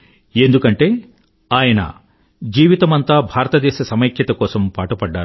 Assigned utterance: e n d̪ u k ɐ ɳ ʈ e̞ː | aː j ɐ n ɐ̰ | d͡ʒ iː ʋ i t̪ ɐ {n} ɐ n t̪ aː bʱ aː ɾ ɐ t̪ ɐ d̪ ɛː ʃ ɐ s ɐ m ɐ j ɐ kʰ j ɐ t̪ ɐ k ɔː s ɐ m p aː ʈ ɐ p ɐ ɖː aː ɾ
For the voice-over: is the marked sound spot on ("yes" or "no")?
no